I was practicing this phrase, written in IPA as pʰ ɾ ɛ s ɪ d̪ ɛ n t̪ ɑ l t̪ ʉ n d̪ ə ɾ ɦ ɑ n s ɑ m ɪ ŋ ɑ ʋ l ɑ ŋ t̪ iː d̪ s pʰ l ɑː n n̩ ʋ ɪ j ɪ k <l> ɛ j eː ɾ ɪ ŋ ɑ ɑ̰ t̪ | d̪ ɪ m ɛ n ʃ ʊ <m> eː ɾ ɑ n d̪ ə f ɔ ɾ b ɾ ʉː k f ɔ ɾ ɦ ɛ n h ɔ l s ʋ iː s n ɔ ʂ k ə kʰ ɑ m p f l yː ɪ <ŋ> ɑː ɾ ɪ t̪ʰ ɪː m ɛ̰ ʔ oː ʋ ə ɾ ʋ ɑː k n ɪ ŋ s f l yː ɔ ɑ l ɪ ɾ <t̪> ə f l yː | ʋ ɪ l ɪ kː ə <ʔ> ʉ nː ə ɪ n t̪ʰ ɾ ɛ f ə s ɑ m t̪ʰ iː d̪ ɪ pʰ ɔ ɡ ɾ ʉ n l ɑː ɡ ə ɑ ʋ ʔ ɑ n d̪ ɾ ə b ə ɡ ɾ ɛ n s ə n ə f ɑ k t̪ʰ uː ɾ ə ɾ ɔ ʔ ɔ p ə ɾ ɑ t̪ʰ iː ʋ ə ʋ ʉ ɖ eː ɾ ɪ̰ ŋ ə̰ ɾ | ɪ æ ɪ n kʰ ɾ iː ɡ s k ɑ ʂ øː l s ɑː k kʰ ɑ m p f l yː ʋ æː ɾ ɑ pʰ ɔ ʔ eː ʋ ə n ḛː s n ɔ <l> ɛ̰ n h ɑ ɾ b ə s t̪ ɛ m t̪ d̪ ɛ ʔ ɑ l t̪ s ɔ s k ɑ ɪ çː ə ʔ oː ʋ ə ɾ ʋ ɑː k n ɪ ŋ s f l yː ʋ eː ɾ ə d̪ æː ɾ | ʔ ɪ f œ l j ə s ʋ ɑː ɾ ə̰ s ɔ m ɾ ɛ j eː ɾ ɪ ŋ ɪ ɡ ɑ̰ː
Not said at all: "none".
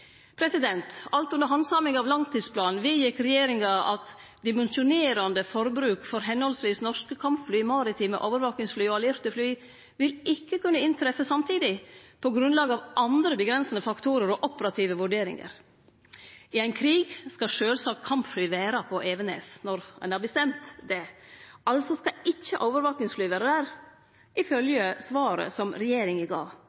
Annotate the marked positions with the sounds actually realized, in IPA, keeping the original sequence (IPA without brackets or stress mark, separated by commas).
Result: ɾ, n, m, t̪, k, ɾ